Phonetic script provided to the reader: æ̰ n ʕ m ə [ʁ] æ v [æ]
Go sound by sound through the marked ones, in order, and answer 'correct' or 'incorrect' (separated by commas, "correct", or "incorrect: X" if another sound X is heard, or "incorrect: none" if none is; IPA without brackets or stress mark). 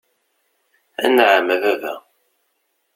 incorrect: ð, correct